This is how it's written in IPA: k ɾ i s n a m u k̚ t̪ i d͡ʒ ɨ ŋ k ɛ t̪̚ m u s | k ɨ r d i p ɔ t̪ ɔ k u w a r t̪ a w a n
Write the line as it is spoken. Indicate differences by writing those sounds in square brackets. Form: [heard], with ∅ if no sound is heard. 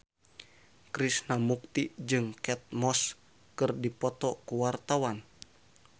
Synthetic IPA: k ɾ i s n a m u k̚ t̪ i d͡ʒ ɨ ŋ k ɛ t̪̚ m [ɔ] s | k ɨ r d i p ɔ t̪ ɔ k u w a r t̪ a w a n